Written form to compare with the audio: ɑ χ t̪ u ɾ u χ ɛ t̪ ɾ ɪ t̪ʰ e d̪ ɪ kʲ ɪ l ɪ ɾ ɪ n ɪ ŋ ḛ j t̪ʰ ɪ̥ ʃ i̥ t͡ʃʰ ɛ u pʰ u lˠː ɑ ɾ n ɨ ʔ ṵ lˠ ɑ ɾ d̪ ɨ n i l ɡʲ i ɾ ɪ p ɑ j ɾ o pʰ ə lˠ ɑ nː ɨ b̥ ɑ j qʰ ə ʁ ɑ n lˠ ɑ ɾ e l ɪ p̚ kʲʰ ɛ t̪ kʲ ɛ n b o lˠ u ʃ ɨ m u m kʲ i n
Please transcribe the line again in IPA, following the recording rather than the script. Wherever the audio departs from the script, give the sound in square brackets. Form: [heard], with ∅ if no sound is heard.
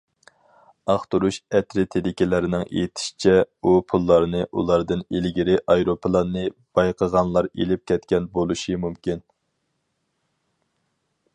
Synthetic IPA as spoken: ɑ χ t̪ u ɾ u [ʃ] ɛ t̪ ɾ ɪ t̪ʰ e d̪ ɪ kʲ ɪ l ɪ ɾ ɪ n ɪ ŋ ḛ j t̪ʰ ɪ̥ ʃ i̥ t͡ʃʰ ɛ u pʰ u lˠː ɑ ɾ n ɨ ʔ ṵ lˠ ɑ ɾ d̪ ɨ n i l ɡʲ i ɾ ɪ [ʔ] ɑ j ɾ o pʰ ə lˠ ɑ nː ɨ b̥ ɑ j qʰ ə ʁ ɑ n lˠ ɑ ɾ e l ɪ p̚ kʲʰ ɛ t̪ kʲ ɛ n b o lˠ u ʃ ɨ m u m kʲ i n

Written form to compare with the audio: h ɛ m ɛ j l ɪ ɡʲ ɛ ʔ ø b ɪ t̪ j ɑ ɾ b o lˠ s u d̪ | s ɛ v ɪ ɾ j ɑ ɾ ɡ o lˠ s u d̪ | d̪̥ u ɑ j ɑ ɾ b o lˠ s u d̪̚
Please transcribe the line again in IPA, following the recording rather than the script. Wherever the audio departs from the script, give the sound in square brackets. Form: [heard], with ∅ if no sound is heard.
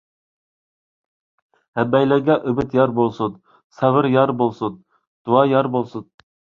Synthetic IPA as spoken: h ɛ [b] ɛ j l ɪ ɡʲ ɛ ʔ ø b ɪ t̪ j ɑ ɾ b o lˠ s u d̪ | s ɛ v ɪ ɾ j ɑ ɾ [b] o lˠ s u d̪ | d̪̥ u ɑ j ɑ ɾ b o lˠ s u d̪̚

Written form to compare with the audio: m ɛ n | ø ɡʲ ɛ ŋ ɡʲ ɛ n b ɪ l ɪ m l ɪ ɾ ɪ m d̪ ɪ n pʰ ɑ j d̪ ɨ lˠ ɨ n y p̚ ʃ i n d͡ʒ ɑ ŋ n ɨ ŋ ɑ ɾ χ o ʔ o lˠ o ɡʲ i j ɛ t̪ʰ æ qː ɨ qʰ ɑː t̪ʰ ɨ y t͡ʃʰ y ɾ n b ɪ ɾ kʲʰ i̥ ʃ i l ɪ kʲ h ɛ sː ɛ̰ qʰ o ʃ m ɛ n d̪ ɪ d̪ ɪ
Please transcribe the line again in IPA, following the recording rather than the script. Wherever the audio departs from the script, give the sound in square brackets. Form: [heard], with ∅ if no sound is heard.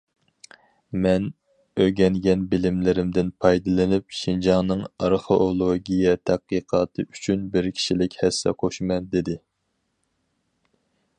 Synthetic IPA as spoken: m ɛ n | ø ɡʲ ɛ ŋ ɡʲ ɛ n b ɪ l ɪ m l ɪ ɾ ɪ m d̪ ɪ n pʰ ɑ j d̪ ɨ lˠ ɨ n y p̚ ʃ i n d͡ʒ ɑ ŋ n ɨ ŋ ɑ ɾ χ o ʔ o lˠ o ɡʲ i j ɛ t̪ʰ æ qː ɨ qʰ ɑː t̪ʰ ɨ y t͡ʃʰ y [∅] n b ɪ ɾ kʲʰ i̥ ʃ i l ɪ kʲ h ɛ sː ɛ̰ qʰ o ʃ m ɛ n d̪ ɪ d̪ ɪ

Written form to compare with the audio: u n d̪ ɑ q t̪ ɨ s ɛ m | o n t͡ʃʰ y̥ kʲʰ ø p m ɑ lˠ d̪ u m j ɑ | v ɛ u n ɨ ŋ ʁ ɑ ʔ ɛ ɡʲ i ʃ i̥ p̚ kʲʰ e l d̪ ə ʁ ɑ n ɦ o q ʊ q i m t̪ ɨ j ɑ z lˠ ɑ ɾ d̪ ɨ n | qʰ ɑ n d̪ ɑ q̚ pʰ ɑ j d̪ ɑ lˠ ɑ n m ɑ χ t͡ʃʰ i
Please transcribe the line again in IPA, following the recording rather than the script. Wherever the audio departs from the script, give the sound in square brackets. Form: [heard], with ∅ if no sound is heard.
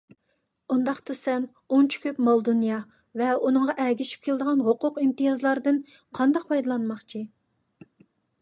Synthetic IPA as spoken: u n d̪ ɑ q t̪ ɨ s ɛ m | o n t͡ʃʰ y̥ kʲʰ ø p m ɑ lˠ d̪ u [n] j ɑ | v ɛ u n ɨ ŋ ʁ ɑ ʔ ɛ ɡʲ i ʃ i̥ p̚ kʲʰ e l d̪ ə ʁ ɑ n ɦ o q ʊ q i m t̪ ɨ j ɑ z lˠ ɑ ɾ d̪ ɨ n | qʰ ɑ n d̪ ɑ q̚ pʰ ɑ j d̪ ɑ lˠ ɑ n m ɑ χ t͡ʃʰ i

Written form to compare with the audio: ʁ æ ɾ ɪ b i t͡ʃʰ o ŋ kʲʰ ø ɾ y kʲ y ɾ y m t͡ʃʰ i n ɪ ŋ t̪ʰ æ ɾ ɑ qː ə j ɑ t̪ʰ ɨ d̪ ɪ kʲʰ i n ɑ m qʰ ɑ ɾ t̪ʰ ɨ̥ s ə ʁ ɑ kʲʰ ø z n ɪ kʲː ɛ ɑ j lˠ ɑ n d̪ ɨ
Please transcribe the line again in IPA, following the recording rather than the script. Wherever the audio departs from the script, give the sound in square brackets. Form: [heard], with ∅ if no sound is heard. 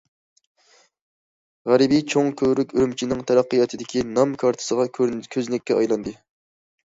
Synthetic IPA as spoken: ʁ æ ɾ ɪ b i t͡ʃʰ o ŋ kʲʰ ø ɾ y kʲ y ɾ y m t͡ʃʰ i n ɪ ŋ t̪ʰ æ ɾ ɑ qː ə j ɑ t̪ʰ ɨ d̪ ɪ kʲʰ i n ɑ m [kʰ] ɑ ɾ t̪ʰ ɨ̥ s ə ʁ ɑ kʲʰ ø z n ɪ kʲː ɛ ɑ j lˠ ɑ n d̪ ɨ

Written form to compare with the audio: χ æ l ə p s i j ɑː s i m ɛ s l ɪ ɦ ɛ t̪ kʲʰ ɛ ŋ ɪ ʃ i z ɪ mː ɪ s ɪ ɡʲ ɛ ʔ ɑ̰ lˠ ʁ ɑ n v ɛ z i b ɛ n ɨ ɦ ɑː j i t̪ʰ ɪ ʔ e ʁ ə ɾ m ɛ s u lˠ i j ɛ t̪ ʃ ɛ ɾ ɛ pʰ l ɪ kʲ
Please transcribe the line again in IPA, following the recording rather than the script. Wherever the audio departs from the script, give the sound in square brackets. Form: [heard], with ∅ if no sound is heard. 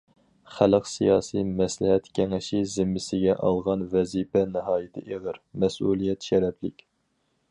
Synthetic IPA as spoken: χ æ l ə [q] s i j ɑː s i m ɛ s l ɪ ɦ ɛ t̪ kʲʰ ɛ ŋ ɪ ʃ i z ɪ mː ɪ s ɪ ɡʲ ɛ ʔ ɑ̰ lˠ ʁ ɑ n v ɛ z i [p] ɛ n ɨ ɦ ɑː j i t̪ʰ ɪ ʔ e ʁ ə ɾ m ɛ s u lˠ i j ɛ t̪ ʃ ɛ ɾ ɛ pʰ l ɪ kʲ

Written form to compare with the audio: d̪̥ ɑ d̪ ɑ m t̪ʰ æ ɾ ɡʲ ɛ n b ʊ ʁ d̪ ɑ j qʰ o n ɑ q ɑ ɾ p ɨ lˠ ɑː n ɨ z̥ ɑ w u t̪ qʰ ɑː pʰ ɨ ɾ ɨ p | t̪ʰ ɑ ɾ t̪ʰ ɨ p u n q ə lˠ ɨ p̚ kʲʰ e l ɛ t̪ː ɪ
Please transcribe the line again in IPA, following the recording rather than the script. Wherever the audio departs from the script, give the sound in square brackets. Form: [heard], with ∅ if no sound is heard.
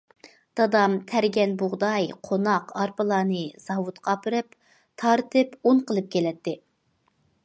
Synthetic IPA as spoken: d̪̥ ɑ d̪ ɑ m t̪ʰ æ ɾ ɡʲ ɛ n b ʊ ʁ d̪ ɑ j qʰ o n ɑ q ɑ ɾ p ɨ lˠ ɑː n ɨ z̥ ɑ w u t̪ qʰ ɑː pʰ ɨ ɾ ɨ p | t̪ʰ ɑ ɾ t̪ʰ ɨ p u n q ə lˠ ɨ p̚ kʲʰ e l ɛ t̪ː ɪ

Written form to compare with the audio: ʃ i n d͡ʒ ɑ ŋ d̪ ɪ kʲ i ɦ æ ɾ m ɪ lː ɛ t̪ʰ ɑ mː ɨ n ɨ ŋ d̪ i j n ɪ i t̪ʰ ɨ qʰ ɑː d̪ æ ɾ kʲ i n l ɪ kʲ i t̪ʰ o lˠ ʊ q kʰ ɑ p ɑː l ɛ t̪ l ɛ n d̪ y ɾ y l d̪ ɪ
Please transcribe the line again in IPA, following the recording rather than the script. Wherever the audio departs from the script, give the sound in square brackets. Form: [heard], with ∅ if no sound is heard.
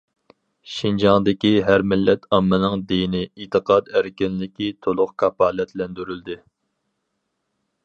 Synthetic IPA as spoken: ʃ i n d͡ʒ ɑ ŋ d̪ ɪ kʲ i ɦ æ ɾ m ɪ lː ɛ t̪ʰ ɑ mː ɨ n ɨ ŋ d̪ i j n ɪ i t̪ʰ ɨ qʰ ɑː d̪ æ ɾ kʲ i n l ɪ kʲ i t̪ʰ o lˠ ʊ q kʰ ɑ p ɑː l ɛ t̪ l ɛ n d̪ y ɾ y l d̪ ɪ

